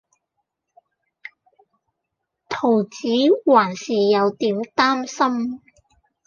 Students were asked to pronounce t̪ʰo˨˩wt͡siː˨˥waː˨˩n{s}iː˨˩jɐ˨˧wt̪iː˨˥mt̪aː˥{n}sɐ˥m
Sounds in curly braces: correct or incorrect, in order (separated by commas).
correct, incorrect